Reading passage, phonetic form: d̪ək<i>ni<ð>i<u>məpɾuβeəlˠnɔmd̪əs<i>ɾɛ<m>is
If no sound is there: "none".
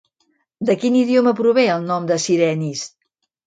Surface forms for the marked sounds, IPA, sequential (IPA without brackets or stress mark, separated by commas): i, ð, o, i, n